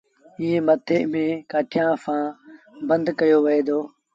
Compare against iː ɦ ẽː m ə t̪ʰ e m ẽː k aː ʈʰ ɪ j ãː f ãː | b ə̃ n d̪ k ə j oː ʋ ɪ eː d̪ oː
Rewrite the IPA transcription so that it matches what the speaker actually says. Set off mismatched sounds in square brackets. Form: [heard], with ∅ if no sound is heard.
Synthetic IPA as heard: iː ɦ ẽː m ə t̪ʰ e m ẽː k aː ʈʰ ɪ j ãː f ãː | b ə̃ n d̪ k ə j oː ʋ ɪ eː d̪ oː